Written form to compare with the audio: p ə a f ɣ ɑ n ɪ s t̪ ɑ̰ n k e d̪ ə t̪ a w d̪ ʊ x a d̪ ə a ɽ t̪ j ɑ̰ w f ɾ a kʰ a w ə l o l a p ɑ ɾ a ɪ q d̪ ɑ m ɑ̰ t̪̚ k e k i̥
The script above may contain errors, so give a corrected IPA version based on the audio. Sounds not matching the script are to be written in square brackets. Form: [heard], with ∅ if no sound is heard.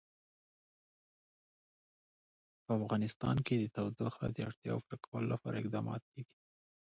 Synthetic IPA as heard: p ə a f ɣ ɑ n ɪ s t̪ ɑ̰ n k e d̪ ə t̪ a w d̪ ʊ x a d̪ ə a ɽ t̪ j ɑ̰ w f ɾ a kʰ a w ə l o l a p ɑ ɾ a ɪ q d̪ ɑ m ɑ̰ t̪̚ k e [ɡ] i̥